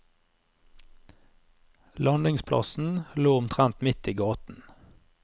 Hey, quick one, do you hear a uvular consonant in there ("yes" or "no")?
yes